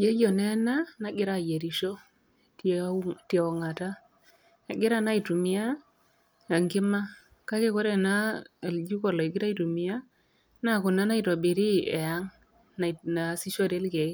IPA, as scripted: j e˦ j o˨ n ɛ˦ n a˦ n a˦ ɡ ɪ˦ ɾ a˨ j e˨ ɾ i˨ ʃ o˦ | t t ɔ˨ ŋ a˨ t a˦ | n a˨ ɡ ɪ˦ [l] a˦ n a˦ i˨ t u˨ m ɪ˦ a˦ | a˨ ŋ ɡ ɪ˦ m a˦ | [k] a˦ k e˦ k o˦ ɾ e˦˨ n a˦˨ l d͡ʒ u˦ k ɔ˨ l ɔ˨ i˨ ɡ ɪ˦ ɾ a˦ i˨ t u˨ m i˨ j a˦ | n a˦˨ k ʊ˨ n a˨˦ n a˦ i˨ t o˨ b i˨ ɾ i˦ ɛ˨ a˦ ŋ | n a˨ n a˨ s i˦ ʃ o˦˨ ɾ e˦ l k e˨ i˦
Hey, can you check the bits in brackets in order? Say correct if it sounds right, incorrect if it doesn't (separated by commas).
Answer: incorrect, correct